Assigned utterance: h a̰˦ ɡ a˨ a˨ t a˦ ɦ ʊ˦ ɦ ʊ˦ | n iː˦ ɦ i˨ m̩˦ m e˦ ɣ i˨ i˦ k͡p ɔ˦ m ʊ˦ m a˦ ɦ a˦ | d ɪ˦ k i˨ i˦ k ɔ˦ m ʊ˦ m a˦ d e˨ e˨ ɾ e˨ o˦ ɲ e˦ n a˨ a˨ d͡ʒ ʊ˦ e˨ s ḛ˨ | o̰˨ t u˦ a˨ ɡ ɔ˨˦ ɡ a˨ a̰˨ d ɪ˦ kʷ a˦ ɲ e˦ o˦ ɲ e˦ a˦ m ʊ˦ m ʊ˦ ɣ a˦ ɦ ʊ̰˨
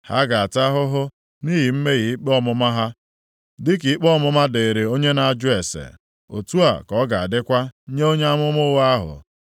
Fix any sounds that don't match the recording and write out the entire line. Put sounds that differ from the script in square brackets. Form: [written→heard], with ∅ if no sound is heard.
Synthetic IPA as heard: h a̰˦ ɡ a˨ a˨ t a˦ ɦ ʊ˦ ɦ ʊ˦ | n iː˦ ɦ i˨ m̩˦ m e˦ ɣ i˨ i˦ k͡p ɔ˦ m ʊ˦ m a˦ ɦ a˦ | d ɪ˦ k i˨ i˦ [k→k͡p] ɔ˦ m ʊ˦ m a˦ d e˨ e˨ ɾ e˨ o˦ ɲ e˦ n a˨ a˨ d͡ʒ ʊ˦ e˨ s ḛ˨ | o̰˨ t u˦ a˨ [ɡ→k] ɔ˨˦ ɡ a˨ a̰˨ d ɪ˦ kʷ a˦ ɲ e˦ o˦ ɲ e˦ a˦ m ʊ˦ m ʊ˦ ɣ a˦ ɦ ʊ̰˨